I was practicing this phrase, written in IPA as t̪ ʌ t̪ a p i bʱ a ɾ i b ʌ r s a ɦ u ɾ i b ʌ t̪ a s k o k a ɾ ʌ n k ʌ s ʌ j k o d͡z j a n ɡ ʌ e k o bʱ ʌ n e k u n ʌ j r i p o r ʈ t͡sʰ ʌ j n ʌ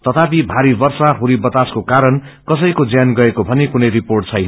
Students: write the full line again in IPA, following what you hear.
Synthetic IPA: t̪ ʌ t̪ a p i bʱ a ɾ i b ʌ r s a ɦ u ɾ i b ʌ t̪ a s k o k a ɾ ʌ n k ʌ s ʌ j k o d͡z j a n ɡ ʌ e k o bʱ ʌ n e k u n ʌ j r i p o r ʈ t͡sʰ ʌ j n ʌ